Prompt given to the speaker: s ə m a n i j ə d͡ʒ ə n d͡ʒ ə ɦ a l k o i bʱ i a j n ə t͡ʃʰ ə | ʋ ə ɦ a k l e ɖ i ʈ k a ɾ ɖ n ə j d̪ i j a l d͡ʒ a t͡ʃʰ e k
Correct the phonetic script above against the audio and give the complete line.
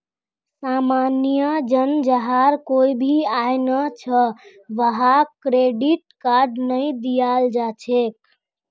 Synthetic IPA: s a m a n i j ə d͡ʒ ə n d͡ʒ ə ɦ a ɾ k o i bʱ i a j n ə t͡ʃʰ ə | ʋ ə ɦ a k ɾ e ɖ i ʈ k a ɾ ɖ n ə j d̪ i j a l d͡ʒ a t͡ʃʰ e k